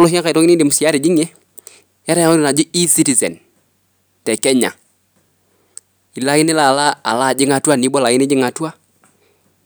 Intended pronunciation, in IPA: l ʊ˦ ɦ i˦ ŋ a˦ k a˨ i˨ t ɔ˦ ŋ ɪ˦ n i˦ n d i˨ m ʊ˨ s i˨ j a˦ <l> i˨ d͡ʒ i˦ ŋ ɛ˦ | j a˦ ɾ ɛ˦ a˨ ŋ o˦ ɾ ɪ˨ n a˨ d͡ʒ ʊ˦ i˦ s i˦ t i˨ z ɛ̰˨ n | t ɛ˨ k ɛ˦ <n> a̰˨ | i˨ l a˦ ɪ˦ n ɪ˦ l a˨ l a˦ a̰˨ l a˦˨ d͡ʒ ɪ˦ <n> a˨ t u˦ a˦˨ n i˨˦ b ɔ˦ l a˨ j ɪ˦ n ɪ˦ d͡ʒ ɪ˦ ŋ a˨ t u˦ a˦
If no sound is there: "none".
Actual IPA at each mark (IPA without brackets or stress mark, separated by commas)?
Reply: ɾ, ɲ, ŋ